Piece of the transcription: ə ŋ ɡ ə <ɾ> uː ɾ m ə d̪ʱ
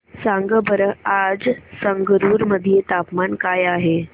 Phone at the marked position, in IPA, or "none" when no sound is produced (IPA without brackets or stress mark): ɾ